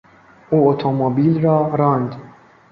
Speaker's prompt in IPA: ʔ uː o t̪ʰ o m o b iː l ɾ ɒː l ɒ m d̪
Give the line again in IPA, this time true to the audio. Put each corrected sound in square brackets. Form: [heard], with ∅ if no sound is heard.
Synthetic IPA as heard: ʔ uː o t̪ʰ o m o b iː l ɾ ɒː [ɾ] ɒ [n] d̪